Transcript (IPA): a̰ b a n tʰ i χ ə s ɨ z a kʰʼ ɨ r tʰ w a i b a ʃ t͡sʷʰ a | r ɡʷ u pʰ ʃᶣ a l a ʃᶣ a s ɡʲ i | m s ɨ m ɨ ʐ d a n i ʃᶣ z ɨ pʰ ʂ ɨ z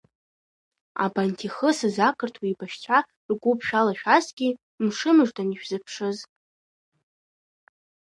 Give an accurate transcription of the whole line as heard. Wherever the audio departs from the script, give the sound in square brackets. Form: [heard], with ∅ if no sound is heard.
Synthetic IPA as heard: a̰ b a n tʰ i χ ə s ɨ z a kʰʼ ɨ r tʰ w [i] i b a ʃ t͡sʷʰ a | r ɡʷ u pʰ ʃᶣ a l a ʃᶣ a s ɡʲ i | m [ʂ] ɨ m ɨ ʐ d a n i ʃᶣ z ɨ pʰ ʂ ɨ z